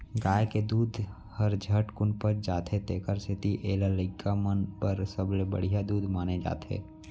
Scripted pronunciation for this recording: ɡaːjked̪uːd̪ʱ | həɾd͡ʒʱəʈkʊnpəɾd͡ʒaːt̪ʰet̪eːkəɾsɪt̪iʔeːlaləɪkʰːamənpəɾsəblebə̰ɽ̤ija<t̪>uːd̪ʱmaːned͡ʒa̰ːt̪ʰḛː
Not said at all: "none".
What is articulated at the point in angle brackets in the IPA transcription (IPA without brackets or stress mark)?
d̪